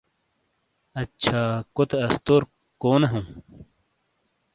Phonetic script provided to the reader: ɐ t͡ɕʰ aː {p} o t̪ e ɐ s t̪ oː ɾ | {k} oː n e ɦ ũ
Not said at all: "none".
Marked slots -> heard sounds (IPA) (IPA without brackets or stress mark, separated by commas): k, k